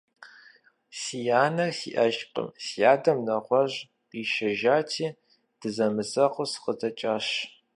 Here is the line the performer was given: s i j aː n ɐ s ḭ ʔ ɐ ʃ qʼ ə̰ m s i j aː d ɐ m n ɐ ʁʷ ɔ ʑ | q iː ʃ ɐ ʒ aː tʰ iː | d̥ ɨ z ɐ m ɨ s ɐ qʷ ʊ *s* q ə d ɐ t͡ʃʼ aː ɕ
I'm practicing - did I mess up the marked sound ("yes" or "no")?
no